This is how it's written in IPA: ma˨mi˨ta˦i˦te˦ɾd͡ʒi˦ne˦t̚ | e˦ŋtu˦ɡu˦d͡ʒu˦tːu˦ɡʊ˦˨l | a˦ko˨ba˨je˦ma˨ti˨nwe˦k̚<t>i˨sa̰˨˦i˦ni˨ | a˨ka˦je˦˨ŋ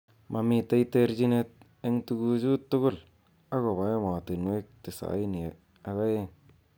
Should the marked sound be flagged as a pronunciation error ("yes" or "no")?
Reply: no